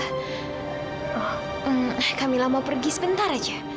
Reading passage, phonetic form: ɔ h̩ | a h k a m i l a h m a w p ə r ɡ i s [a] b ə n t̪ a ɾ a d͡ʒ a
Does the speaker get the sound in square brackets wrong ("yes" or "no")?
yes